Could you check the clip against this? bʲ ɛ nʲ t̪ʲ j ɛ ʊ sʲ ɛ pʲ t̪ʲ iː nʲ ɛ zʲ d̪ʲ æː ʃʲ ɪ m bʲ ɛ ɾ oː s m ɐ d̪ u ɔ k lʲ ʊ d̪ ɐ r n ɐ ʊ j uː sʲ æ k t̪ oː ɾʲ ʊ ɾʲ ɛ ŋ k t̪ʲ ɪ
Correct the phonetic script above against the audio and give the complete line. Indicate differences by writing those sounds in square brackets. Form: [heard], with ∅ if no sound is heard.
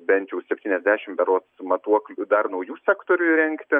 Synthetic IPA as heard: bʲ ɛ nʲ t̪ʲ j ɛ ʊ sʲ ɛ pʲ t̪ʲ iː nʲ ɛ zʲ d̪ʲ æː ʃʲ ɪ m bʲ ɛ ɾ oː s m ɐ [t̪] u ɔ k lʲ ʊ d̪ ɐ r n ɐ ʊ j uː sʲ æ k t̪ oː ɾʲ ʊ ɾʲ ɛ ŋ k t̪ʲ ɪ